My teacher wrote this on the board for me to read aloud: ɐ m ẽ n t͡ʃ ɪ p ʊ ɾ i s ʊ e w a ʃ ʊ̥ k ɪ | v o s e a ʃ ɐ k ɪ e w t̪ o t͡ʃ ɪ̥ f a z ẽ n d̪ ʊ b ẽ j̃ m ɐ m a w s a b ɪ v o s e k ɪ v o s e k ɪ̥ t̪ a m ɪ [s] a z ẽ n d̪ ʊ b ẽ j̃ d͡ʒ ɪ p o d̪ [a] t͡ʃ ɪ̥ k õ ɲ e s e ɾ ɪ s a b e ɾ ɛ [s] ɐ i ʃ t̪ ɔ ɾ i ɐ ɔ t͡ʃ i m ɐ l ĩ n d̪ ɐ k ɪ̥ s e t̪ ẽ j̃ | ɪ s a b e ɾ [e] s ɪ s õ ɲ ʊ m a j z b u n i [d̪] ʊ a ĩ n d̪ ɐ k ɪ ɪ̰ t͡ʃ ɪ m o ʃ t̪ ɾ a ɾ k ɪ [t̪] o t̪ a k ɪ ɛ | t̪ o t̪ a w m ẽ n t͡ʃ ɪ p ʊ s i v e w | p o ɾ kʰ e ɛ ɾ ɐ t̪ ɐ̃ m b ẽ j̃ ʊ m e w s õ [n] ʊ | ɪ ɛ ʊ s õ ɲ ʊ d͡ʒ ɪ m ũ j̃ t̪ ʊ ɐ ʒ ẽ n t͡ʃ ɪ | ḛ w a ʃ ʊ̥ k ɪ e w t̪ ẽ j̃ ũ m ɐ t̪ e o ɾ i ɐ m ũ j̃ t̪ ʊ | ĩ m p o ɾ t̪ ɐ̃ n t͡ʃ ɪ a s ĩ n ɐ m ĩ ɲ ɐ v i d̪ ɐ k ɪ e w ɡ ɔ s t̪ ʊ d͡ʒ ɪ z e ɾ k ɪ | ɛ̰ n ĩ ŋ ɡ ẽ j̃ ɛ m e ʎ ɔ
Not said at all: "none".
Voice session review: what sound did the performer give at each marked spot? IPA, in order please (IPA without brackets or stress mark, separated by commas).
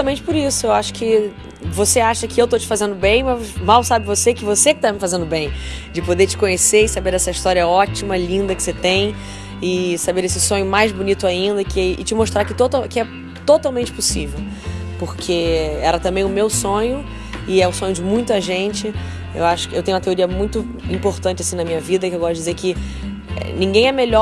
f, e, s, e, t̪, t̪, ɲ